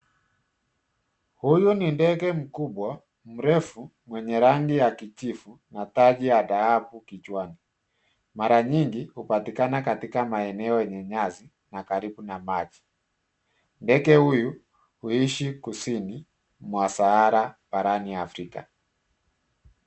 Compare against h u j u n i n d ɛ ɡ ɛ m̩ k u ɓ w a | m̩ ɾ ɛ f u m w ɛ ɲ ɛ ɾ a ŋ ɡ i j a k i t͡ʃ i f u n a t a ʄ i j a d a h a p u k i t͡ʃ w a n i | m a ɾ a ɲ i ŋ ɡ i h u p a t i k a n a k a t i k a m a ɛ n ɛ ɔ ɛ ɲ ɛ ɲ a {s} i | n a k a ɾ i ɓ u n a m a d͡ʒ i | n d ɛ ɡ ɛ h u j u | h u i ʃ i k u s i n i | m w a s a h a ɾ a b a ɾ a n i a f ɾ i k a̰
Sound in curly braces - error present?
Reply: yes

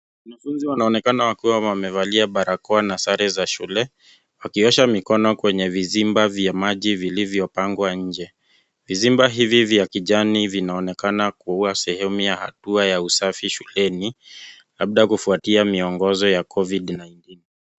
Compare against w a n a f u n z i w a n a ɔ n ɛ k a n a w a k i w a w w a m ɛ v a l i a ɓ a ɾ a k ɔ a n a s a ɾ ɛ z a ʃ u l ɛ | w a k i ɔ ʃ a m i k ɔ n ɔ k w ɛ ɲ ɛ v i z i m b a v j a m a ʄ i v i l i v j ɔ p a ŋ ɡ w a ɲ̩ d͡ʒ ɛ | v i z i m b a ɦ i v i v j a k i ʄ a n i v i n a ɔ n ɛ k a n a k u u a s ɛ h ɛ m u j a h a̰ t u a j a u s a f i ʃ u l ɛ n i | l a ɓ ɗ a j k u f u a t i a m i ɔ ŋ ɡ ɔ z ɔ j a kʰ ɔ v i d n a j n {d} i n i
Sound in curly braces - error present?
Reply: yes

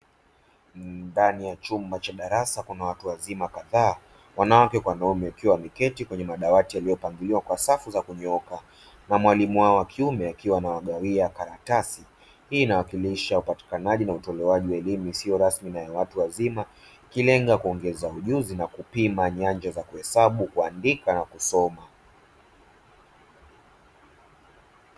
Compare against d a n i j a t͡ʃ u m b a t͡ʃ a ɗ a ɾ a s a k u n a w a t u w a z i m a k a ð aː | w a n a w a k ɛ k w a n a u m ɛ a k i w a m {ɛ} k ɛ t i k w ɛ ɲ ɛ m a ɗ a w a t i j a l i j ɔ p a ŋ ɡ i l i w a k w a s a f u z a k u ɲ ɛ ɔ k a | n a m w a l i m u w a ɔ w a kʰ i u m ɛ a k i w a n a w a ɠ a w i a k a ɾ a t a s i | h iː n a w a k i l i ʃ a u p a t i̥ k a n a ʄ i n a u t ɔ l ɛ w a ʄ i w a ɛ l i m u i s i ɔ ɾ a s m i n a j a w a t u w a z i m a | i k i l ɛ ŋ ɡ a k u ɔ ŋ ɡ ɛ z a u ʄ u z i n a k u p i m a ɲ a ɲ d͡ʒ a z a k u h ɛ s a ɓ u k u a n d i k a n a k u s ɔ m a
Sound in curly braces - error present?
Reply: yes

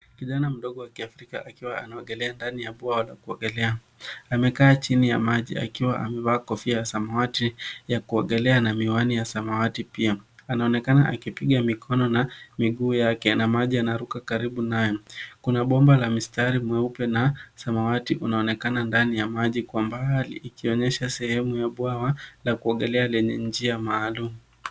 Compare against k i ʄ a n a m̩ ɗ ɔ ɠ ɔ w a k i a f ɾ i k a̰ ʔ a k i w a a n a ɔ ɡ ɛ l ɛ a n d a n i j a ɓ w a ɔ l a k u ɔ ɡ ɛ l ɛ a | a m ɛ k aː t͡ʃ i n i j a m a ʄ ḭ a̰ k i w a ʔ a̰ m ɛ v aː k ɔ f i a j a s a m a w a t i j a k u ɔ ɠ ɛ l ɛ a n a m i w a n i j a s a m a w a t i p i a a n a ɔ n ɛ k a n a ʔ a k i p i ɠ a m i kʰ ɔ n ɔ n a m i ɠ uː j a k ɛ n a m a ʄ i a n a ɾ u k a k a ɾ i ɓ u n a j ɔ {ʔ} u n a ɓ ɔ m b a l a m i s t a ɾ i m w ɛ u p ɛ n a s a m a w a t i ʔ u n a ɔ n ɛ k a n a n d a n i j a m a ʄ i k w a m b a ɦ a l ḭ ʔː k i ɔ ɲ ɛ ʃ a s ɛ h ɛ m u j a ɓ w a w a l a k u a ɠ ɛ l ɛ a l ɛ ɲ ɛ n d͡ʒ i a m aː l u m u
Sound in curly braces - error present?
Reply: yes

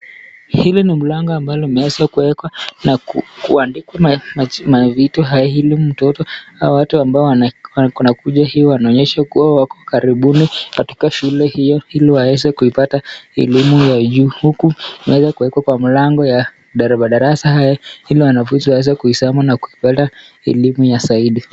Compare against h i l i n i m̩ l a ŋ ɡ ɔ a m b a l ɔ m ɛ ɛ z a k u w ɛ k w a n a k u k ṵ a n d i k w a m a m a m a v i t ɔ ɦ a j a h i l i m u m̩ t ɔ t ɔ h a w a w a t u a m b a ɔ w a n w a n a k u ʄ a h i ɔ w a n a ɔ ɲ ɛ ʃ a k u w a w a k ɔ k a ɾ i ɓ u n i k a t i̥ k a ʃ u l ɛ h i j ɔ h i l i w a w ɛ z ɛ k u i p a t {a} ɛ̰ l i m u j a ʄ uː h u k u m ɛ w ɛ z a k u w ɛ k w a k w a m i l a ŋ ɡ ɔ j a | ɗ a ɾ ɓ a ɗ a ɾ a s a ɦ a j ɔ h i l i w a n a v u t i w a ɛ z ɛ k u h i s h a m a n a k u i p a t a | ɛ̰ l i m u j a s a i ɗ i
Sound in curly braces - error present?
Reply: no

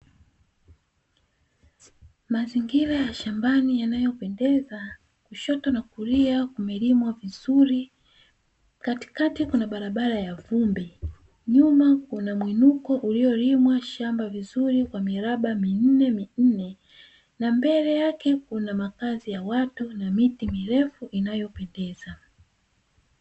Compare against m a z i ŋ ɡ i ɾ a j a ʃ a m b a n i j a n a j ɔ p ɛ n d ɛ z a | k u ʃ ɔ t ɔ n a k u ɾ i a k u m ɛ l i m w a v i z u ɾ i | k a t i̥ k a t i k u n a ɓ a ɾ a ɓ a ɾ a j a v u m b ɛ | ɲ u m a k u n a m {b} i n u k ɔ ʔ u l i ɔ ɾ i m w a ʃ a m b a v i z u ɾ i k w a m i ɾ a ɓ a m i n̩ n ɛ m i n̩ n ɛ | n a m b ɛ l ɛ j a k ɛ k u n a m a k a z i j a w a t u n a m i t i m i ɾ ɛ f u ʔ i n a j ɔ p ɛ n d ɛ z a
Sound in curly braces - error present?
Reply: yes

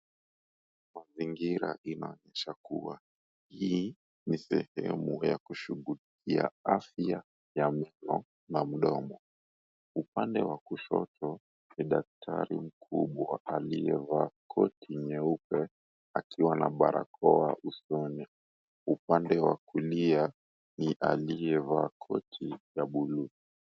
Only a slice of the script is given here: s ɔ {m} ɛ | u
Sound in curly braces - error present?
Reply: yes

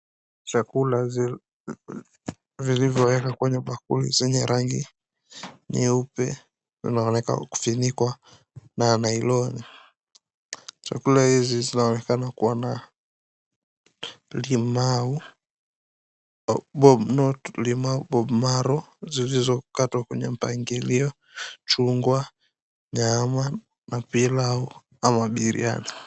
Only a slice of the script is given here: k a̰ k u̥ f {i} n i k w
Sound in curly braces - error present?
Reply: no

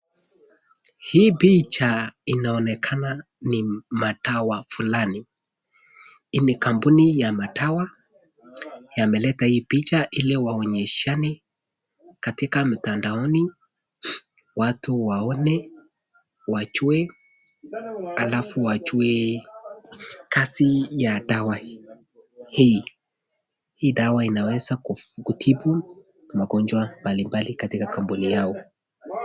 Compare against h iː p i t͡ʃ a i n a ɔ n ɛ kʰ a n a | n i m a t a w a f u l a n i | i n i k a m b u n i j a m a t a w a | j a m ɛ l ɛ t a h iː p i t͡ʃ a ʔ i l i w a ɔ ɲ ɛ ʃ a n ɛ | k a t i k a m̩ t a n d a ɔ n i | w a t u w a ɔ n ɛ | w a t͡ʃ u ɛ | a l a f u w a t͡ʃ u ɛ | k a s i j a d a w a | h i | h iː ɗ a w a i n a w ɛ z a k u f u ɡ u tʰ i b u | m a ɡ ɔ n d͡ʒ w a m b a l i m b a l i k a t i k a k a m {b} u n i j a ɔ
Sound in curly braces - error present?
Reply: no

